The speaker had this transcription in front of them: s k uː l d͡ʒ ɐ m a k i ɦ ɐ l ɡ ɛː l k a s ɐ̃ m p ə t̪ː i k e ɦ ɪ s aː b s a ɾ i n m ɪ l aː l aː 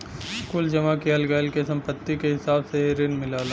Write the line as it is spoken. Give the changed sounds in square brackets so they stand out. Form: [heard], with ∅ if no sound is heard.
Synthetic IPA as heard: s k uː l d͡ʒ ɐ m a k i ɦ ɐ l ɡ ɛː l k [e] s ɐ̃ m p ə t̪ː i k e ɦ ɪ s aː b s [e] ɾ [ɪ] n m ɪ l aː l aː

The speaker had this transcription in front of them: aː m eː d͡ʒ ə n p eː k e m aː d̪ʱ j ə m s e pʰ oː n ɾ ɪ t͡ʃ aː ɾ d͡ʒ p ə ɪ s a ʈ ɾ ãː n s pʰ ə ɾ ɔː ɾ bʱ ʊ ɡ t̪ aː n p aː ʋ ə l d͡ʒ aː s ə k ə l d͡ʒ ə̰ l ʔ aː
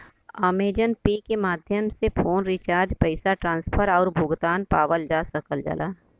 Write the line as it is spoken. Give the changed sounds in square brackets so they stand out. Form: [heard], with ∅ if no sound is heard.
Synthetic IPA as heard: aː m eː d͡ʒ ə n p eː k e m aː d̪ʱ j ə m s e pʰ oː n ɾ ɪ t͡ʃ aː ɾ d͡ʒ p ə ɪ s a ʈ ɾ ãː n s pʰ ə ɾ ɔː ɾ bʱ ʊ ɡ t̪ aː n p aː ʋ ə l d͡ʒ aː s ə k ə l d͡ʒ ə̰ l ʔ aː

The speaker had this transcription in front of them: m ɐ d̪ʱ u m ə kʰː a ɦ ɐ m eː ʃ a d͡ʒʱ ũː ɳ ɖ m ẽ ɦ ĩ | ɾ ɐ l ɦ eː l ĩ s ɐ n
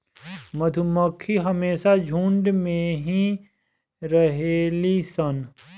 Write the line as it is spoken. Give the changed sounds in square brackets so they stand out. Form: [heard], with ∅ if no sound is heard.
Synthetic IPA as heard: m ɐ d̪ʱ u m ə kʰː [i] ɦ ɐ m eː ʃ a d͡ʒʱ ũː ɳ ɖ m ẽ ɦ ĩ | ɾ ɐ [∅] ɦ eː l [i] s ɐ n

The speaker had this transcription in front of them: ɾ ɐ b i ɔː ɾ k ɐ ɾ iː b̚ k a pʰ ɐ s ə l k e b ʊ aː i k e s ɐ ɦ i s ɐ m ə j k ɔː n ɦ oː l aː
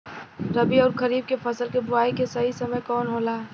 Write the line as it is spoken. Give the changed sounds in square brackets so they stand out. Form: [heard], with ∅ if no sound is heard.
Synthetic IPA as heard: ɾ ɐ b i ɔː ɾ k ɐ ɾ iː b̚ k [e] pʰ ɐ s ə l k e b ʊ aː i k e s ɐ ɦ i s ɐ m ə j k ɔː n ɦ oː l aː

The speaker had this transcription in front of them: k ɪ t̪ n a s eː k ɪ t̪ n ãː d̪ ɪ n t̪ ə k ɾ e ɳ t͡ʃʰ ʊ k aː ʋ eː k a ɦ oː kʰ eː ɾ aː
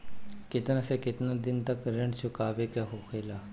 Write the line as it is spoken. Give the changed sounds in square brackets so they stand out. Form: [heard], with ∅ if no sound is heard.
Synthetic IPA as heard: k ɪ t̪ n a s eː k ɪ t̪ n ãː d̪ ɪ n t̪ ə k ɾ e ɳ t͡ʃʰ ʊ k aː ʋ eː k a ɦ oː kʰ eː [l] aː

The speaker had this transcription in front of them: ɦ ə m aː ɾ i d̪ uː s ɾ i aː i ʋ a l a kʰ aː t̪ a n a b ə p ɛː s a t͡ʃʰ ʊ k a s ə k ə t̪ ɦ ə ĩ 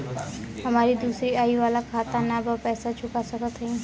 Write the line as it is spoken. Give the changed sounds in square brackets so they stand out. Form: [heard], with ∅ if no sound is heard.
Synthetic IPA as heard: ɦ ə m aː ɾ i d̪ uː s ɾ i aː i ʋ a l a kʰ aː t̪ a n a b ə p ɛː s a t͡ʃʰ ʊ k a s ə k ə t̪ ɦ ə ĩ

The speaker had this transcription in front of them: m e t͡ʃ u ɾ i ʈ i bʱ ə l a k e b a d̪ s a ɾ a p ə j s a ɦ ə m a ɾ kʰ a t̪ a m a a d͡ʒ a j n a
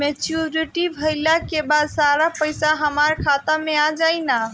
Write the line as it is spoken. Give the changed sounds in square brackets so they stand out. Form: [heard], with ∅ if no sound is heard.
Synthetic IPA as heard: m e t͡ʃ u ɾ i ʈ i bʱ ə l a k e b a d̪ s a ɾ a p ə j s a ɦ ə m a ɾ kʰ a t̪ a m [e] a d͡ʒ a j n a

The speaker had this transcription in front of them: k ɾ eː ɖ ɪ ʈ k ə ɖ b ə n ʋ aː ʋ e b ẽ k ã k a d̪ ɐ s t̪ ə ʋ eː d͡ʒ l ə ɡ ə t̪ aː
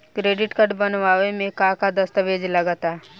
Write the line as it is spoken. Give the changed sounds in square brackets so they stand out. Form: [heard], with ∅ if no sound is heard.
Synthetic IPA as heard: k ɾ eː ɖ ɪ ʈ k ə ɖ b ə n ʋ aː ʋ e [m] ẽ k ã k a d̪ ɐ s t̪ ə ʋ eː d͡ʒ l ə ɡ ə t̪ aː

